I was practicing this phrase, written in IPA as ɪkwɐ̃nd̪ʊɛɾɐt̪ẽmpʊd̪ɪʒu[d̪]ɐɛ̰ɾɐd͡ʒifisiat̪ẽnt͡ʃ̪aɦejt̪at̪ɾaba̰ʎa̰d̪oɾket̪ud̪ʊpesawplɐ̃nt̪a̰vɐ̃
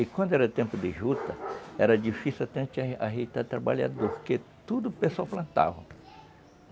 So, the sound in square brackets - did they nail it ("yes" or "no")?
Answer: no